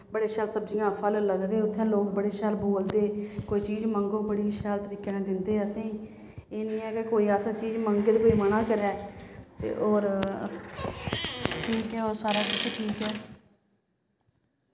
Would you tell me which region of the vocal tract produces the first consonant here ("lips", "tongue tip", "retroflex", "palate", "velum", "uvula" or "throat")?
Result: lips